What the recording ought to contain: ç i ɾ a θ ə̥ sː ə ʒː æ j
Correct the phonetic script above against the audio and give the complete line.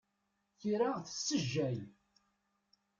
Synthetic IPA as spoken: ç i ɾ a θ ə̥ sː ə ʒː æ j